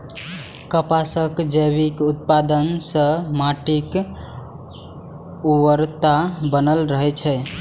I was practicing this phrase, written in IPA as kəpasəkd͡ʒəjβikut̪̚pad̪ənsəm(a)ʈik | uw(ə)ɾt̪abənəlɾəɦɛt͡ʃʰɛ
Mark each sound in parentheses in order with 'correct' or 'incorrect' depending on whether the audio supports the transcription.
correct, correct

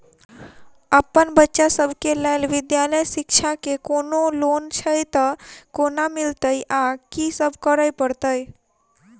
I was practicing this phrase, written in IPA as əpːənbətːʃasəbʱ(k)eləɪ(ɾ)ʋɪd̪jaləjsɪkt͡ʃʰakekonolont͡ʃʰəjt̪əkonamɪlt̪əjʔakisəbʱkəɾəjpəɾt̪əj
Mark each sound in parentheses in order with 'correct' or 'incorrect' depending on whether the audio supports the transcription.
correct, incorrect: l

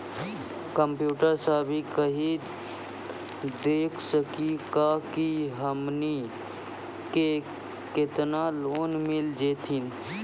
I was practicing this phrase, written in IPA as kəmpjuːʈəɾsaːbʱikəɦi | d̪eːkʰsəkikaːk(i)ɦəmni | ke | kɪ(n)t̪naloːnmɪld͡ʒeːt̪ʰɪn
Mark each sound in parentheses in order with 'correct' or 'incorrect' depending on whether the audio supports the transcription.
correct, incorrect: none

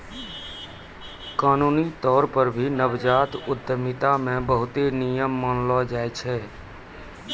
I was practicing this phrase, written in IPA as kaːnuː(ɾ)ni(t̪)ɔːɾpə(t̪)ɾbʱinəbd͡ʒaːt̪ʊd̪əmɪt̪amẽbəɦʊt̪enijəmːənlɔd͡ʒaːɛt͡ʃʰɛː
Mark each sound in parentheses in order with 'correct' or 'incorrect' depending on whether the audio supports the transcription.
incorrect: none, correct, incorrect: none

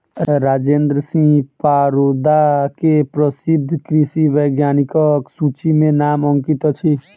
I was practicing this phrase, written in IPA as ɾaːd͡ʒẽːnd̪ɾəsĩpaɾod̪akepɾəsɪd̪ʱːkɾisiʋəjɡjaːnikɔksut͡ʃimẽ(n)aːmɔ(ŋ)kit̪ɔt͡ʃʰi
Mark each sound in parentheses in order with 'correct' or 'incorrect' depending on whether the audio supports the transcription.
correct, correct

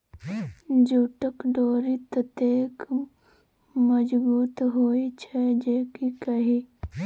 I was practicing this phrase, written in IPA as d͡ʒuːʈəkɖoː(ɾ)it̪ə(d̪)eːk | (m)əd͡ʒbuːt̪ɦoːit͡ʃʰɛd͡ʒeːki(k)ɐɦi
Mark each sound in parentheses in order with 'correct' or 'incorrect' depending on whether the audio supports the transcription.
correct, incorrect: t̪, correct, correct

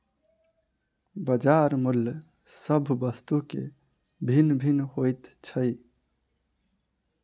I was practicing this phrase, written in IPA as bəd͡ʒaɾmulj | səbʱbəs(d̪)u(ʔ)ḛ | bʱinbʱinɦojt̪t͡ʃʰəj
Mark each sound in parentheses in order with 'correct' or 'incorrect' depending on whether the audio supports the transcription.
incorrect: t̪, incorrect: k

